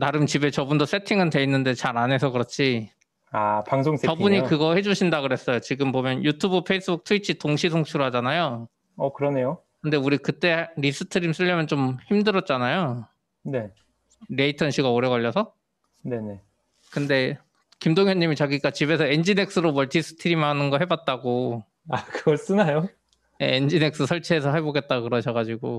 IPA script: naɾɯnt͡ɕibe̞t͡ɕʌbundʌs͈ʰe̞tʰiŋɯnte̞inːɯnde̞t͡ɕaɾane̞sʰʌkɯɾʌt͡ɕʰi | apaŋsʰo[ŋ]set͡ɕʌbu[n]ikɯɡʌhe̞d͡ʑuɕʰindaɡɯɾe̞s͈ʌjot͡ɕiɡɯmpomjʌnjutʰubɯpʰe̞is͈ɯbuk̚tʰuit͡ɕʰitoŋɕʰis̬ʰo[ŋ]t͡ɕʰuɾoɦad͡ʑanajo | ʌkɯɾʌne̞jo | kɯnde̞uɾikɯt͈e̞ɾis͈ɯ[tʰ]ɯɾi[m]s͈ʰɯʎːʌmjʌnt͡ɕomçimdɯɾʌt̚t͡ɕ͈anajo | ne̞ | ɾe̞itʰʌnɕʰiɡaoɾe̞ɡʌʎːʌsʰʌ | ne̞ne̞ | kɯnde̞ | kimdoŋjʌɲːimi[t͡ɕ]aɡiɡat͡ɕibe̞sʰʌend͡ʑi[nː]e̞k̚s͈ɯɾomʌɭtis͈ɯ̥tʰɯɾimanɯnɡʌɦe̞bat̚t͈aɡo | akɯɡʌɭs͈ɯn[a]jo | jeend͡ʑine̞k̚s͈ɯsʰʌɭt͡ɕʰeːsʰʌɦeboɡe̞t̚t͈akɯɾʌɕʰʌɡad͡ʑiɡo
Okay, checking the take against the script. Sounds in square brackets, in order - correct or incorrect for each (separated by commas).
correct, incorrect, correct, correct, correct, correct, incorrect, correct